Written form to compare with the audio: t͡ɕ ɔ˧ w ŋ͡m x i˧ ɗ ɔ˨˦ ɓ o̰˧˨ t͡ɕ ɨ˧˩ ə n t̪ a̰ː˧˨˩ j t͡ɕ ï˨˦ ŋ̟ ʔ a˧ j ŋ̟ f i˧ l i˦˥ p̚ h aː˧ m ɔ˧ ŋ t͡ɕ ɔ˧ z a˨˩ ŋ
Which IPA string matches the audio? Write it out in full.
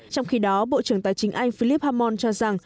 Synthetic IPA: t͡ɕ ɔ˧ w ŋ͡m x i˧ ɗ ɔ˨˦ ɓ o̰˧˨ t͡ɕ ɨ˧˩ ə ŋ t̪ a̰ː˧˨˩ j t͡ɕ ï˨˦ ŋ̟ ʔ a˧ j ŋ̟ f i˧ l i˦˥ p̚ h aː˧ m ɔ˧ n t͡ɕ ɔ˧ z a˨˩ ŋ

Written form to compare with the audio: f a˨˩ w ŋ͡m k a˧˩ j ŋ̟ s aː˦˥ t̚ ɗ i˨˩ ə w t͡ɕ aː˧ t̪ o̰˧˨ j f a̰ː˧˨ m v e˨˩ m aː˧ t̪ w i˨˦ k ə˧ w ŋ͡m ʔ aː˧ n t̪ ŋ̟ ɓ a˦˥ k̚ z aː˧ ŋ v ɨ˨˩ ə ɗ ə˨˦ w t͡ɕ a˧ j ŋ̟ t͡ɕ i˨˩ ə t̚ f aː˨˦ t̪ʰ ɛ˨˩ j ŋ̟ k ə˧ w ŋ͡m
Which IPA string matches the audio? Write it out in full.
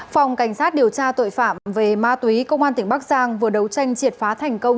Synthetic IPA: f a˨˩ w ŋ͡m k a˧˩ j ŋ̟ s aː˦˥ t̚ ɗ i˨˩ ə w t͡ɕ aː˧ t̪ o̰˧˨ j f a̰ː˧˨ m v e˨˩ m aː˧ t̪ w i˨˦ k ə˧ w ŋ͡m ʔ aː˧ n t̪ ŋ̟ ɓ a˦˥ k̚ z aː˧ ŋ v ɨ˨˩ ə ɗ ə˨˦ w t͡ɕ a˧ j ŋ̟ t͡ɕ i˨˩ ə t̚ f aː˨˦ t̪ʰ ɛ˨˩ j ŋ̟ k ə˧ w ŋ͡m

